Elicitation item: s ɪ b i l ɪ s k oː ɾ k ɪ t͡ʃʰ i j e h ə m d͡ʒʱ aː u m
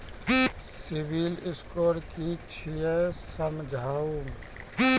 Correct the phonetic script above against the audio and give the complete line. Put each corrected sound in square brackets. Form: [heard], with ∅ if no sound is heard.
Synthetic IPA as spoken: s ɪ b i l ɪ s k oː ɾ k [i] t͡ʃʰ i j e [s] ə m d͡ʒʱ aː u m